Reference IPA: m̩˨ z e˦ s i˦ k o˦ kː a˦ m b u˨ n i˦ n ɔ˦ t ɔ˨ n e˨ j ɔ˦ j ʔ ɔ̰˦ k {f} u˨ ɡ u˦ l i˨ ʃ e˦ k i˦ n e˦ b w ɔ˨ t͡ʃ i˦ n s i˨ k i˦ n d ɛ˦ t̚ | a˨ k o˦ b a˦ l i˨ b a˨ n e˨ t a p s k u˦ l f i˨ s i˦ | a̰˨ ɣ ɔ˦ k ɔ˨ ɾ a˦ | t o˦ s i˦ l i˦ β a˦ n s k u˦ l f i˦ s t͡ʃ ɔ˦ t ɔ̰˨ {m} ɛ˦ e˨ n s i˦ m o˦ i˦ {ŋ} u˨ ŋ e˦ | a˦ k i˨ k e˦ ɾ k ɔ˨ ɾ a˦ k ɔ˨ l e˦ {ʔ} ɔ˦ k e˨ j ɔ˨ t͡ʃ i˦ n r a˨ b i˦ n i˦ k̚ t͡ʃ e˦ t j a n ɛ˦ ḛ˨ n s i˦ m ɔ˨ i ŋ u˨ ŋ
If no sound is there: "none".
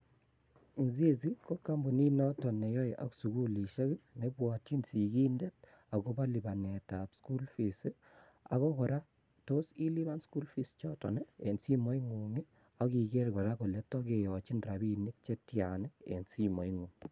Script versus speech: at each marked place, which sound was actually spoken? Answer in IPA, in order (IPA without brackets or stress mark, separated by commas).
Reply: s, n, ŋ, t